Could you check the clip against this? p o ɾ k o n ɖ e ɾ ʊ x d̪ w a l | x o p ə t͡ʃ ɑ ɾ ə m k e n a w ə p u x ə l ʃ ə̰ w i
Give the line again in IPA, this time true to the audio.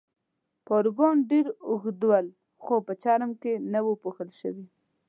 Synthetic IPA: p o ɾ ɡ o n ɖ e ɾ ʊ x d̪ w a l | x o p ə t͡ʃ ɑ ɾ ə m k e n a w ə p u x ə l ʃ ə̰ w i